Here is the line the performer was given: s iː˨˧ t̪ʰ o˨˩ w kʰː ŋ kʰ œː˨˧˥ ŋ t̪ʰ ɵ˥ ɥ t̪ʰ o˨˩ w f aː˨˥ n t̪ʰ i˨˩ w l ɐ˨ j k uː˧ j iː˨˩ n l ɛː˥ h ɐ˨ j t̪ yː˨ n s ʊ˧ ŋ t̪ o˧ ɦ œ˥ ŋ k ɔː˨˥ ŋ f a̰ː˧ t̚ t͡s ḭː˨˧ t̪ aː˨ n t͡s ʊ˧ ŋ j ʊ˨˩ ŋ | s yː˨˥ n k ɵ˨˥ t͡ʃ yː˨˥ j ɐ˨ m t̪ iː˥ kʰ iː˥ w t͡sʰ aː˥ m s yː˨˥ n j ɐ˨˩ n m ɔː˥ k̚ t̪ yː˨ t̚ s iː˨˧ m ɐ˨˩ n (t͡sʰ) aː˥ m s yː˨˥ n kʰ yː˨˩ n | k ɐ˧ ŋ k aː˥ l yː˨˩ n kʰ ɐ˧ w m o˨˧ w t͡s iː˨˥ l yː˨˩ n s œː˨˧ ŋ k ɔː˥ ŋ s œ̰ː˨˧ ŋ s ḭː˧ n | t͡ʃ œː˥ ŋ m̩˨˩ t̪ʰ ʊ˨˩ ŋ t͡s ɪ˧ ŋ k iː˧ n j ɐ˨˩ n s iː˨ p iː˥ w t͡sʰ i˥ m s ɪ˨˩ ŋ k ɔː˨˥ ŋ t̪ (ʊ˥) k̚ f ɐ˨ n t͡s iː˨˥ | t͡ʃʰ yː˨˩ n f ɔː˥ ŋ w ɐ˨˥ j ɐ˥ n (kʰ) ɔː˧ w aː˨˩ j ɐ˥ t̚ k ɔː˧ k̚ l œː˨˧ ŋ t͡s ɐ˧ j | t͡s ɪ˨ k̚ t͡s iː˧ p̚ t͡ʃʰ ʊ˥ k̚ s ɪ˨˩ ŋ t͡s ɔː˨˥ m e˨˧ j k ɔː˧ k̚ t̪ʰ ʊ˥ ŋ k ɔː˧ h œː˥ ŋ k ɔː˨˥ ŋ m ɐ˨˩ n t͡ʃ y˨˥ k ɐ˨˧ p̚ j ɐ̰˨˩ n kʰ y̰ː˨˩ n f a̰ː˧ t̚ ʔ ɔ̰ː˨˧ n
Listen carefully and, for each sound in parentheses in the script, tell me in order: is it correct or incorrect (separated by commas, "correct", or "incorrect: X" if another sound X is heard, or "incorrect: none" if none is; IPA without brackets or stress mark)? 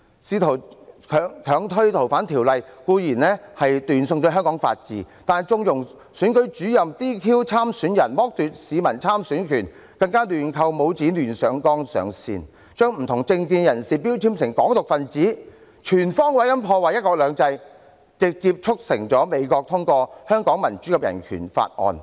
correct, incorrect: ʊ˨, incorrect: pʰ